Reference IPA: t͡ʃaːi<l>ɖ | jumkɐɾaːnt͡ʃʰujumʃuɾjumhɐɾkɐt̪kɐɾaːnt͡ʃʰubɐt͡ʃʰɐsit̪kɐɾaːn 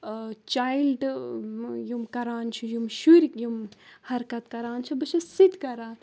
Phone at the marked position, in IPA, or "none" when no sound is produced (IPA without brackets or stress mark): l